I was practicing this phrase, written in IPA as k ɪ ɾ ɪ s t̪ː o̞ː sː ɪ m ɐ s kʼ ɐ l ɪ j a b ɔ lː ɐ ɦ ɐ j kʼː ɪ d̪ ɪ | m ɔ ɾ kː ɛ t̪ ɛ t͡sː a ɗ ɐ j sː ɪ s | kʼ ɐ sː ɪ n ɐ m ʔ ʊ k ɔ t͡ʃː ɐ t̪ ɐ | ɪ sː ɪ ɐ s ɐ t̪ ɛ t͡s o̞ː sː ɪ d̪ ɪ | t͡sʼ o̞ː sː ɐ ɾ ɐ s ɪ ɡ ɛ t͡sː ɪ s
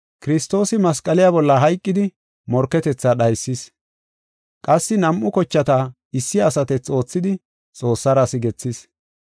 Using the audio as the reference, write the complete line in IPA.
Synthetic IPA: k ɪ ɾ ɪ s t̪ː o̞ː s ɪ m ɐ s kʼ ɐ l ɪ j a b ɔ lː ɐ ɦ ɐ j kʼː ɪ d̪ ɪ | m ɔ ɾ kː ɛ t̪ ɛ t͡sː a ɗ ɐ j sː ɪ s | kʼ ɐ sː ɪ n ɐ m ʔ ʊ k ɔ t͡ʃː ɐ t̪ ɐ | ɪ sː ɪ ɐ s ɐ t̪ ɛ t͡s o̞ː t͡sː ɪ d̪ ɪ | t͡sʼ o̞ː sː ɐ ɾ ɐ s ɪ ɡ ɛ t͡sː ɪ s